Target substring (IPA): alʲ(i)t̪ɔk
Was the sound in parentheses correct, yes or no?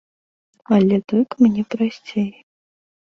no